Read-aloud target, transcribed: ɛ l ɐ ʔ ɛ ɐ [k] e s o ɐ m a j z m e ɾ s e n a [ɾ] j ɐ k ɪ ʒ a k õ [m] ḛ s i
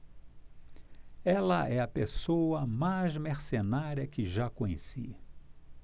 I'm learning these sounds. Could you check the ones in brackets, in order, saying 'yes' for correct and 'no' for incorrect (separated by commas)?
no, yes, no